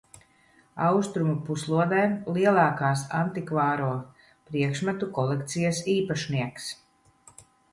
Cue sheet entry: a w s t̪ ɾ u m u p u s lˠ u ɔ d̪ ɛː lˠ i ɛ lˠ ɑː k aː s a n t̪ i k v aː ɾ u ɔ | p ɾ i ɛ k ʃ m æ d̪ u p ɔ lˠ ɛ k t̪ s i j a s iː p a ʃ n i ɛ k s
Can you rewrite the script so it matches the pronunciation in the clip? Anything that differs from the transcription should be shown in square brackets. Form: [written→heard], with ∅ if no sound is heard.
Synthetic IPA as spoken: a w s t̪ ɾ u m u p u s lˠ u ɔ d̪ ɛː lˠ i ɛ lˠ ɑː k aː s a n t̪ i k v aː ɾ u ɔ | p ɾ i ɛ k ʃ m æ [d̪→t̪] u [p→k] ɔ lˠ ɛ k t̪ s i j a s iː p a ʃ n i ɛ k s

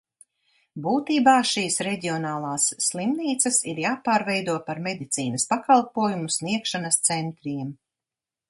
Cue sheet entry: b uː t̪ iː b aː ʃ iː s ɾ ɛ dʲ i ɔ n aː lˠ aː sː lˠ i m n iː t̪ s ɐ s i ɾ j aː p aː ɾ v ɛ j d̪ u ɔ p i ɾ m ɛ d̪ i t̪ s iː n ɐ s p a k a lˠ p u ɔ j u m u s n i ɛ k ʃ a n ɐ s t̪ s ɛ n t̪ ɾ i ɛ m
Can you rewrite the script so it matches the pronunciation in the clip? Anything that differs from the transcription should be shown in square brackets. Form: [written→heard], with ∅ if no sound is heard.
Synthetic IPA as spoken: b uː t̪ iː b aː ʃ iː s ɾ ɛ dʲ i ɔ n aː lˠ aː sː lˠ i m n iː t̪ s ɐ s i ɾ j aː p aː ɾ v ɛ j d̪ u ɔ p [i→a] ɾ m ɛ d̪ i t̪ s iː n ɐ s p a k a lˠ p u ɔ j u m u s n i ɛ k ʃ a n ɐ s t̪ s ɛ n t̪ ɾ i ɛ m

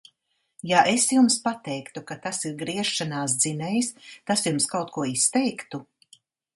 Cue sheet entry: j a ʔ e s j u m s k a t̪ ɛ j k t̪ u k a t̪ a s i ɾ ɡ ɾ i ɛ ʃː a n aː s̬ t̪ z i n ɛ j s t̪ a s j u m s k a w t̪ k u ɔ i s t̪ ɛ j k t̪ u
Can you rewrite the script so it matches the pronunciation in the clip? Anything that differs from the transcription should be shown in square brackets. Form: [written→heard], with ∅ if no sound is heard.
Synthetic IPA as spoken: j a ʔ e s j u m s [k→p] a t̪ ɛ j k t̪ u k a t̪ a s i ɾ ɡ ɾ i ɛ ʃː a n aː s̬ [t̪→d̪] z i n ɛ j s t̪ a s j u m s k a w t̪ k u ɔ i s t̪ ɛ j k t̪ u

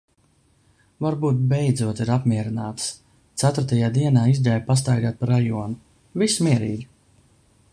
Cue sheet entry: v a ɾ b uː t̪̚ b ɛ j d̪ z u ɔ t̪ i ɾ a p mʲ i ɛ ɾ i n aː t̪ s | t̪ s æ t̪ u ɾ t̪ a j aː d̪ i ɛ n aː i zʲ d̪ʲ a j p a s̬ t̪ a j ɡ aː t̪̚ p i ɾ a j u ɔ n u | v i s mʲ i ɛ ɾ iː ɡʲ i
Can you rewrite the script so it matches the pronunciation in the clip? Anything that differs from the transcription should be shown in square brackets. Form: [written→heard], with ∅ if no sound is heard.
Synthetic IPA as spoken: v a ɾ b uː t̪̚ b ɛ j d̪ z u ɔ t̪ i ɾ a p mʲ i ɛ ɾ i n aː t̪ s | t̪ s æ t̪ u ɾ t̪ a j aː d̪ i ɛ n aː i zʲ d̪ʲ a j p a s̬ t̪ a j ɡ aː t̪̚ p [i→a] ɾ a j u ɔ n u | v i s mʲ i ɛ ɾ iː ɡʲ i

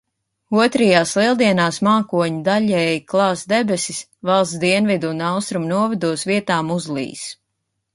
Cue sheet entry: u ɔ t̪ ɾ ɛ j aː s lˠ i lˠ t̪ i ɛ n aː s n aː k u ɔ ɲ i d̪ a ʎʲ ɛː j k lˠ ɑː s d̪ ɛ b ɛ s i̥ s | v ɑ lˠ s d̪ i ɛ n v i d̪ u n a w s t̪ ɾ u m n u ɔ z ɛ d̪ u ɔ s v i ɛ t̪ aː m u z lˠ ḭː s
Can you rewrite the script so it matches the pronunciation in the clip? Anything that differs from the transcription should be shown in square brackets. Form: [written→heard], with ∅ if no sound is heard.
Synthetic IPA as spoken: u ɔ t̪ ɾ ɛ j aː s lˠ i lˠ [t̪→d̪] i ɛ n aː s [n→m] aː k u ɔ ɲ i d̪ a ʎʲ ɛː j k lˠ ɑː s d̪ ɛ b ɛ s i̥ s | v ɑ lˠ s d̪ i ɛ n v i d̪ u n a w s t̪ ɾ u m n u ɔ [z→v] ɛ d̪ u ɔ s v i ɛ t̪ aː m u z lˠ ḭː s

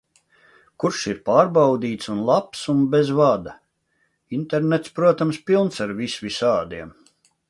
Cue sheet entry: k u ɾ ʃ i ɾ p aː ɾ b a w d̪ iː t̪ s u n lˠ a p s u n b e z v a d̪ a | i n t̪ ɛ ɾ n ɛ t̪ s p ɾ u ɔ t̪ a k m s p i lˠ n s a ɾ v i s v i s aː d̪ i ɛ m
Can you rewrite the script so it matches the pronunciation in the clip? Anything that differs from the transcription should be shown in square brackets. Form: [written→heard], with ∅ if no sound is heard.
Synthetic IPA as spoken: k u ɾ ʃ i ɾ p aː ɾ b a w d̪ iː t̪ s u n lˠ a p s u n b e z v a d̪ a | i n t̪ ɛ ɾ n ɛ t̪ s p ɾ u ɔ t̪ a [k→∅] m s p i lˠ n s a ɾ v i s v i s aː d̪ i ɛ m

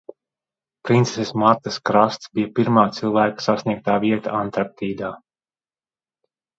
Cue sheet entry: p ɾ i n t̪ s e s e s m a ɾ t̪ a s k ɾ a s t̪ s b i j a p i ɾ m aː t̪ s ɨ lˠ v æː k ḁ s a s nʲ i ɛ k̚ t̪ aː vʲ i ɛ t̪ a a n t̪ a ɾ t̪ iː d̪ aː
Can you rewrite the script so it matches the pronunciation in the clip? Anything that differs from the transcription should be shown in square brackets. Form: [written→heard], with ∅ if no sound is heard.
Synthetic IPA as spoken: p ɾ i n t̪ s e s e s m a ɾ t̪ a s k ɾ a s t̪ s b i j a p i ɾ m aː t̪ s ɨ lˠ v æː k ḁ s a s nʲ i ɛ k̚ t̪ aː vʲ i ɛ t̪ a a n t̪ a ɾ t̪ iː d̪ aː

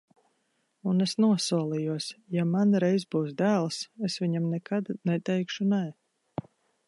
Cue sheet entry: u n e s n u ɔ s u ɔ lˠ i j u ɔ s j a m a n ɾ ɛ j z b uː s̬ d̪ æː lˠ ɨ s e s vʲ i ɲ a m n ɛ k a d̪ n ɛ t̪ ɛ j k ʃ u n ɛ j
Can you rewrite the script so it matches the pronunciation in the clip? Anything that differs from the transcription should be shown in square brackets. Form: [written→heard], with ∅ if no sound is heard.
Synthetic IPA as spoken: u n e s n u ɔ s u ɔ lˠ i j u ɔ s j a m a n ɾ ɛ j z b uː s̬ d̪ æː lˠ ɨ s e s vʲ i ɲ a m n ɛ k a d̪ n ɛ t̪ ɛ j k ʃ u n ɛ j

